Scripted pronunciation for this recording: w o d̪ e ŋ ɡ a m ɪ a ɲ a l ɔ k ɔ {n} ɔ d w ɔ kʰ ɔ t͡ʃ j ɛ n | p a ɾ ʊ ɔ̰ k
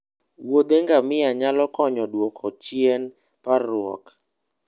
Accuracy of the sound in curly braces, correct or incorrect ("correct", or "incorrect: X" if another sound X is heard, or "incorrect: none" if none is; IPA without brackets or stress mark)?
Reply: incorrect: ɲ